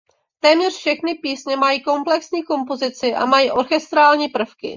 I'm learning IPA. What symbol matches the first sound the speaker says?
t̪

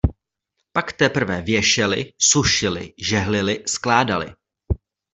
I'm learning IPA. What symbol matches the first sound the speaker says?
p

